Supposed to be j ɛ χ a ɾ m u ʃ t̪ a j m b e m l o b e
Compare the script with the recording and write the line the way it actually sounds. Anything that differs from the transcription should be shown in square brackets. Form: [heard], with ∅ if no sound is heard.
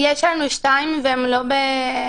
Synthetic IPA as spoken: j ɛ [ʃ] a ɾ [n] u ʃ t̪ a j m [v] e m l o b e